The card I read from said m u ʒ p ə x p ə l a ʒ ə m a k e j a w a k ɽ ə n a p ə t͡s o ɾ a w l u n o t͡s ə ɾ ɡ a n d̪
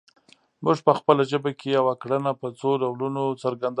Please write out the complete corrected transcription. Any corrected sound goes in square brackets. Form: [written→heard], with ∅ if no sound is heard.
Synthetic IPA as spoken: m u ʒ p ə x p ə l a ʒ ə [m→b] a k e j a w a k ɽ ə n a p ə t͡s o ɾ a w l u n o t͡s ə ɾ ɡ a n d̪